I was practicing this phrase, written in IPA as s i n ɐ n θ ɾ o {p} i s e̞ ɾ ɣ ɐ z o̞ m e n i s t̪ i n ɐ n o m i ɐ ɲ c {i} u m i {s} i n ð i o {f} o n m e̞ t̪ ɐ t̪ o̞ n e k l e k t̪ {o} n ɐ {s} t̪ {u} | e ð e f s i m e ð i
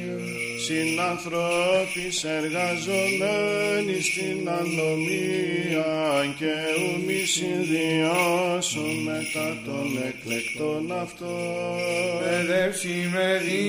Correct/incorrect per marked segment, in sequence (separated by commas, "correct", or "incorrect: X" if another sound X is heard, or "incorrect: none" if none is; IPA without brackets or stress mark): correct, incorrect: e, correct, incorrect: s, correct, incorrect: f, incorrect: o